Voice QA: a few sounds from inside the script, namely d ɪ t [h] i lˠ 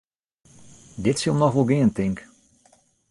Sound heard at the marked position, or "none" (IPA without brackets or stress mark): s